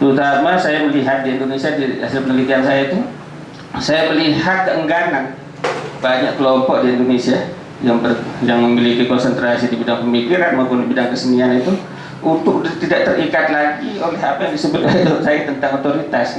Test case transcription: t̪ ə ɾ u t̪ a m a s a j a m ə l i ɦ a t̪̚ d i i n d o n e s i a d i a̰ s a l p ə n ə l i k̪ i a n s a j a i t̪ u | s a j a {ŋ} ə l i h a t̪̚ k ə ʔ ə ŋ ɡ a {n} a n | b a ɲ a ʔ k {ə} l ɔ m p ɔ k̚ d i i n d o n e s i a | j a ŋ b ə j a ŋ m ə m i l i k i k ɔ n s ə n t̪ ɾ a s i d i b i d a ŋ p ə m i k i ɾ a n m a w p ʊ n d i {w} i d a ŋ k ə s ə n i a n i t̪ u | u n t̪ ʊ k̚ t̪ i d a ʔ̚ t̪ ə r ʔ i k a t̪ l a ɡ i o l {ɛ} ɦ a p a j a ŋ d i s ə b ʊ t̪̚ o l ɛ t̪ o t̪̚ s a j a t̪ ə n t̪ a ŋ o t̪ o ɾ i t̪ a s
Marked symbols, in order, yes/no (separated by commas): no, yes, yes, no, yes